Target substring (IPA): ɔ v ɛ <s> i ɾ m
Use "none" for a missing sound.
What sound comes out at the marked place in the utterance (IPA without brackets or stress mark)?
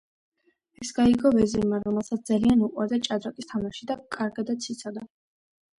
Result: z